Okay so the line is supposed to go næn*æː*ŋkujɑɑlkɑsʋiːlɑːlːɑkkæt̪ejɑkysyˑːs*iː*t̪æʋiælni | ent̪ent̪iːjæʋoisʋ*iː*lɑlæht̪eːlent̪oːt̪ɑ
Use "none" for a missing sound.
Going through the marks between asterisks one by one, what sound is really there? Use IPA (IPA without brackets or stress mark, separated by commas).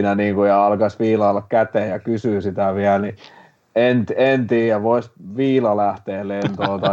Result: iː, i, iː